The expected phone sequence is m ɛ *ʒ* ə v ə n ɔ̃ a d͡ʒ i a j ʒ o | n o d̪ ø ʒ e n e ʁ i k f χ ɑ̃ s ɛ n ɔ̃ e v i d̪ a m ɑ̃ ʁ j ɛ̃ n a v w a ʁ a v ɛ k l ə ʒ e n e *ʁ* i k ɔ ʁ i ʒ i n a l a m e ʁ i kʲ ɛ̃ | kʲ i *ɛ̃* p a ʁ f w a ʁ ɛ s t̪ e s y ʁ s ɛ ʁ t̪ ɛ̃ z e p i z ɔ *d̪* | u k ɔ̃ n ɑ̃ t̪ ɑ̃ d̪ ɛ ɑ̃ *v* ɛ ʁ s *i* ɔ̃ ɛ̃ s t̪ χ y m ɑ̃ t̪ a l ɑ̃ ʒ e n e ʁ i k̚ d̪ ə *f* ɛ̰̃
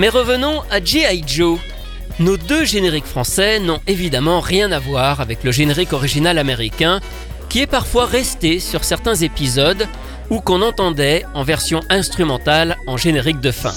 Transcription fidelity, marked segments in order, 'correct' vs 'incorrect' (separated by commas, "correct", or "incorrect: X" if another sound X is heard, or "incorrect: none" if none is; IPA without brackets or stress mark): incorrect: ʁ, correct, incorrect: ɛ, correct, correct, incorrect: j, correct